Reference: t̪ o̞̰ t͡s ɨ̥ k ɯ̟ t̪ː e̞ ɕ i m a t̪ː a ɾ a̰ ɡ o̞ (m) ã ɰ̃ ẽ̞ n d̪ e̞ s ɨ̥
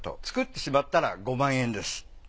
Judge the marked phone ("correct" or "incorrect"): correct